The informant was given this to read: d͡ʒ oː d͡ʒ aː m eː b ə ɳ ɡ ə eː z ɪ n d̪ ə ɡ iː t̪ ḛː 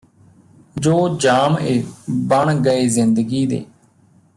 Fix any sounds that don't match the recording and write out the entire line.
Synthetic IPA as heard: d͡ʒ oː d͡ʒ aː m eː b ə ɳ ɡ ə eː z ɪ n d̪ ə ɡ iː d̪ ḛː